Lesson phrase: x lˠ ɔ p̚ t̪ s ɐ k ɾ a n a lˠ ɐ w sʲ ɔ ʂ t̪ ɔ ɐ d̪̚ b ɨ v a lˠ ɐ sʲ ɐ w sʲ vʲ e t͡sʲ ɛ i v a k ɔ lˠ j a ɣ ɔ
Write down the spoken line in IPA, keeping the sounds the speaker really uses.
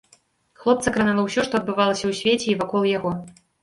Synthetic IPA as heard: x lˠ ɔ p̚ t̪ s ɐ k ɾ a n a lˠ ɐ w sʲ ɔ ʂ t̪ ɔ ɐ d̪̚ b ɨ v a lˠ ɐ sʲ ɐ w sʲ vʲ e t͡sʲ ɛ i v a k ɔ lˠ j a ɣ ɔ